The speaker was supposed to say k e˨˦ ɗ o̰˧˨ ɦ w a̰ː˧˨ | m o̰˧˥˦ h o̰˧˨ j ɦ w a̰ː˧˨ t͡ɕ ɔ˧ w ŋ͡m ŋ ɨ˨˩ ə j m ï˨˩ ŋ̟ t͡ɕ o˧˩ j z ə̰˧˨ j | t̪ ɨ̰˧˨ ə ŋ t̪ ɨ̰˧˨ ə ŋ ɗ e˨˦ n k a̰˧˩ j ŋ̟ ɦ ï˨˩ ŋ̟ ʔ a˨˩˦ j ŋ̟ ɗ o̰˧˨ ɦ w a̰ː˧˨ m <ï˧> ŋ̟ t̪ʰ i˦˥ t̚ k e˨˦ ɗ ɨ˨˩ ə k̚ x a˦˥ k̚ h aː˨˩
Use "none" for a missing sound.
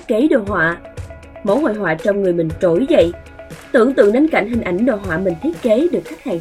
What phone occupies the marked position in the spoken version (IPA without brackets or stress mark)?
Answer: ï˨˩